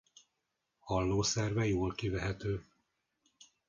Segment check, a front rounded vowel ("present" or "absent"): present